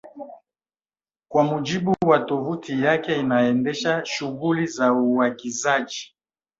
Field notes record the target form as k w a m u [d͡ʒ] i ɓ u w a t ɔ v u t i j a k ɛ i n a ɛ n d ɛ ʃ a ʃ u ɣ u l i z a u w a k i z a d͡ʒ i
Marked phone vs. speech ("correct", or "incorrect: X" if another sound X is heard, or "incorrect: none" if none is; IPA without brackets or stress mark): correct